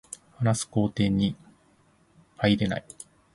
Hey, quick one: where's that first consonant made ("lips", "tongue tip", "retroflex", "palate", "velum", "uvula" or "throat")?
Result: throat